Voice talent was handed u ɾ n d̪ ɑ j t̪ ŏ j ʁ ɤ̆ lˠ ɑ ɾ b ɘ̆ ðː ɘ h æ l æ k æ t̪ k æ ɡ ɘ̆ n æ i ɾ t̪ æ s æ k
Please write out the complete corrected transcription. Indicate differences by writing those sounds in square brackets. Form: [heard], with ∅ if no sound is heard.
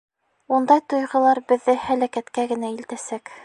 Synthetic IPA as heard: u [∅] n d̪ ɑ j t̪ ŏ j ʁ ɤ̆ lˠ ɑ ɾ b ɘ̆ ðː ɘ h æ l æ k æ t̪ k æ ɡ ɘ̆ n æ i [l] t̪ æ s æ k